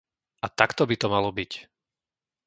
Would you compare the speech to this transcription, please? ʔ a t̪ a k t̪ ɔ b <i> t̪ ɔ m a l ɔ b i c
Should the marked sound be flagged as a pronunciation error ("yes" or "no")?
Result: no